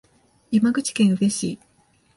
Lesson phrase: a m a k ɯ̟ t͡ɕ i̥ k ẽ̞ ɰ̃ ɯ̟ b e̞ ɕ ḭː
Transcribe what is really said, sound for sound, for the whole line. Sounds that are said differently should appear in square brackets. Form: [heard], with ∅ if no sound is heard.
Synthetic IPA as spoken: [i] m a [ɡ] ɯ̟ t͡ɕ i̥ k ẽ̞ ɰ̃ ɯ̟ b e̞ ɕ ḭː

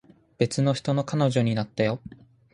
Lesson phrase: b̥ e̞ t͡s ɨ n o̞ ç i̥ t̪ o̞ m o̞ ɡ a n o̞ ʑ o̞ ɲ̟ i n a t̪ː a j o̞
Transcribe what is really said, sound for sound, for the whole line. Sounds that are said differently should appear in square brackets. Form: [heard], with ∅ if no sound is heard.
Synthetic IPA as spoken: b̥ e̞ t͡s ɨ n o̞ ç i̥ t̪ o̞ [n] o̞ [k] a n o̞ ʑ o̞ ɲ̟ i n a t̪ː a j o̞

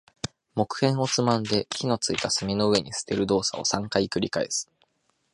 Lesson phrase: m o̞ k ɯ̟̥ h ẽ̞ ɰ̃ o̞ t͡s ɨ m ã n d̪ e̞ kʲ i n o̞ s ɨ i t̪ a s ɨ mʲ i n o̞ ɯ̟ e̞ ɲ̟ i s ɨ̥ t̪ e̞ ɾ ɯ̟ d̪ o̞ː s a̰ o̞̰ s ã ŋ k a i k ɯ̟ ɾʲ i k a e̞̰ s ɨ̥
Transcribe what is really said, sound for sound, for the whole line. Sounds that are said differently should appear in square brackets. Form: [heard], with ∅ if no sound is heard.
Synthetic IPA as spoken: m o̞ k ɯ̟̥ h ẽ̞ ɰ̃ o̞ t͡s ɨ m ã n d̪ e̞ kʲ i n o̞ [t͡s] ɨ i t̪ a s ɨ mʲ i n o̞ ɯ̟ e̞ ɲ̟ i s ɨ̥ t̪ e̞ ɾ ɯ̟ d̪ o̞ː s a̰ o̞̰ s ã ŋ k a i k ɯ̟ ɾʲ i k a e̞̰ s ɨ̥

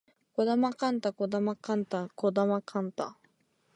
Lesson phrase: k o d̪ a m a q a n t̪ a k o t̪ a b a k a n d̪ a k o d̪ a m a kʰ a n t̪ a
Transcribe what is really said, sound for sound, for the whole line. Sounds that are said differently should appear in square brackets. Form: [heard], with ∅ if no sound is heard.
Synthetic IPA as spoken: k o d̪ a m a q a n t̪ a k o [d̪] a [m] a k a n [t̪] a k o d̪ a m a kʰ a n t̪ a

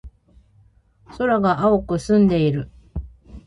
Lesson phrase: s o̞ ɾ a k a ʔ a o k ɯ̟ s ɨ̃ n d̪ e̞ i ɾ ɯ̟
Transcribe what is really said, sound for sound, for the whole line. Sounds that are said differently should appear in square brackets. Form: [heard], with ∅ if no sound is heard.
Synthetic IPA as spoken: s o̞ ɾ a [ɡ] a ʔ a o k ɯ̟ s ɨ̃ n d̪ e̞ i ɾ ɯ̟

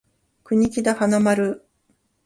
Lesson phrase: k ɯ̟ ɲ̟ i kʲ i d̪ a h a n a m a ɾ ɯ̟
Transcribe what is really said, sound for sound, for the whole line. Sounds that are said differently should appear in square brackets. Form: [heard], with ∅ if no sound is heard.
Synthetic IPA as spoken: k ɯ̟ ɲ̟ i kʲ i d̪ a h a n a m a ɾ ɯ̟

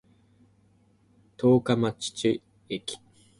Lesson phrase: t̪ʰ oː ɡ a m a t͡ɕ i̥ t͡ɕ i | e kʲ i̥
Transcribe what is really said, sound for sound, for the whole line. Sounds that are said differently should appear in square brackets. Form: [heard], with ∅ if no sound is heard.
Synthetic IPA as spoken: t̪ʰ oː [k] a m a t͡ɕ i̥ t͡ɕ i | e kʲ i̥

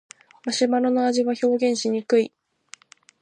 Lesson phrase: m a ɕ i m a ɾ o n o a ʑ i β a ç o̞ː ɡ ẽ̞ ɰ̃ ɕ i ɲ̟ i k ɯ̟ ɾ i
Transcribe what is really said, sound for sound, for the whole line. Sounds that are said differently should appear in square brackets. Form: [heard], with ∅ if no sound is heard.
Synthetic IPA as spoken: m a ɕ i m a ɾ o n o a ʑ i β a ç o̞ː ɡ ẽ̞ ɰ̃ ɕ i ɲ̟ i k ɯ̟ [∅] i

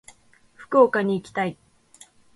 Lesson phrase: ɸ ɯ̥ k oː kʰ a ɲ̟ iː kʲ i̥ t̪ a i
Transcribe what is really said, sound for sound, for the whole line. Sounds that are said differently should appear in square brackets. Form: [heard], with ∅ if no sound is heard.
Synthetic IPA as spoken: ɸ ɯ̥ k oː [k] a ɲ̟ iː kʲ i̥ t̪ a i

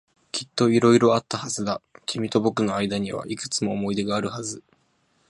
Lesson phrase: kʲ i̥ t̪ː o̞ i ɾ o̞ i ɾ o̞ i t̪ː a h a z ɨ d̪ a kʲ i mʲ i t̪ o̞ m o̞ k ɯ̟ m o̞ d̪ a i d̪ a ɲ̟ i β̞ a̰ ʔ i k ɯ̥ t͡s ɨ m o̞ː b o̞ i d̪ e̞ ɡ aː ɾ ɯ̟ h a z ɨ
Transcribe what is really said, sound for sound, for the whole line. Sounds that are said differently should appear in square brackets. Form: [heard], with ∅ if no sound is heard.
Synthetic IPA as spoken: kʲ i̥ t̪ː o̞ i ɾ o̞ i ɾ o̞ [a] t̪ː a h a z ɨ d̪ a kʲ i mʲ i t̪ o̞ [b] o̞ k ɯ̟ [n] o̞ [∅] a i d̪ a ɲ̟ i β̞ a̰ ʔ i k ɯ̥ t͡s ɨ m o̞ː [m] o̞ i d̪ e̞ ɡ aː ɾ ɯ̟ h a z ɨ

